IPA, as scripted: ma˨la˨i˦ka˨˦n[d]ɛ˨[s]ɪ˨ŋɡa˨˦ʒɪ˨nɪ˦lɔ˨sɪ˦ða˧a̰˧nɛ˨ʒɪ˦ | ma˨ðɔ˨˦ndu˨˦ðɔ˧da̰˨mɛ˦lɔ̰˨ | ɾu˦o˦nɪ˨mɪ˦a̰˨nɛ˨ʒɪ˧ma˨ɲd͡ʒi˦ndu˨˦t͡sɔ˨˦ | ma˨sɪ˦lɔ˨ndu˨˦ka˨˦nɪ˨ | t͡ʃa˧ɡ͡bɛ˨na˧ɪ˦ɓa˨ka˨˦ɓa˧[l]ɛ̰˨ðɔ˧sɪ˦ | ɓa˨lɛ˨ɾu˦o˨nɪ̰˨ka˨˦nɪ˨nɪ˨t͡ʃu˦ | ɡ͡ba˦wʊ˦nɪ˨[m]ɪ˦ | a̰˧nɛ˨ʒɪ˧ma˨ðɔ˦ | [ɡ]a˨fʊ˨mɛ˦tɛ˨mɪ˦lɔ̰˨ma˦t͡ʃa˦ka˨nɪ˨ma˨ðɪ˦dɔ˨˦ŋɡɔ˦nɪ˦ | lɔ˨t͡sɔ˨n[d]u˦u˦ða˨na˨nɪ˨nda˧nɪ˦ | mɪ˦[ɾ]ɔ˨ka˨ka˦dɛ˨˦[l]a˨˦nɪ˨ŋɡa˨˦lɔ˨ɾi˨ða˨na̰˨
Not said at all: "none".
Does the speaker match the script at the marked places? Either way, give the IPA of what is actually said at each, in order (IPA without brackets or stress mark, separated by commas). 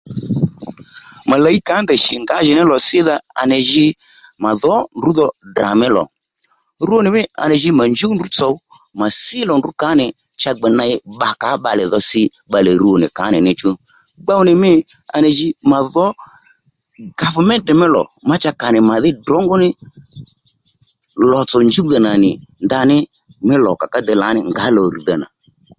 d, ʃ, l, m, ɡ, d͡ʒ, l, l